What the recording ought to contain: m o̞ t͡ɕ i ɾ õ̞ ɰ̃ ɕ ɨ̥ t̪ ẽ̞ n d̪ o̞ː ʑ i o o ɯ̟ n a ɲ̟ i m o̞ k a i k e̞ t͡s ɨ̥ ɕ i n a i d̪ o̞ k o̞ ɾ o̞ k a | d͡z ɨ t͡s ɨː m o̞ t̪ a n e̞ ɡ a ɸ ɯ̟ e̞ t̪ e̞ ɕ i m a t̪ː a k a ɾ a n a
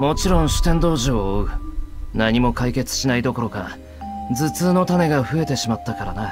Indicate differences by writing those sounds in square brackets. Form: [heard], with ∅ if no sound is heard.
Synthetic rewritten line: m o̞ t͡ɕ i ɾ õ̞ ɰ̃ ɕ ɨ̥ t̪ ẽ̞ n d̪ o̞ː ʑ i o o ɯ̟ n a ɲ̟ i m o̞ k a i k e̞ t͡s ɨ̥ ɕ i n a i d̪ o̞ k o̞ ɾ o̞ k a | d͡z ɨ t͡s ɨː [n] o̞ t̪ a n e̞ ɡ a ɸ ɯ̟ e̞ t̪ e̞ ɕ i m a t̪ː a k a ɾ a n a